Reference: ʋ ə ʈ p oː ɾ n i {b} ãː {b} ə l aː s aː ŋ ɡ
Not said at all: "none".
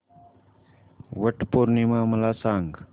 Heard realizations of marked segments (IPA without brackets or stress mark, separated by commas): m, m